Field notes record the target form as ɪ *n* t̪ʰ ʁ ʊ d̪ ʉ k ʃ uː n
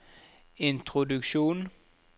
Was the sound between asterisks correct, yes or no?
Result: yes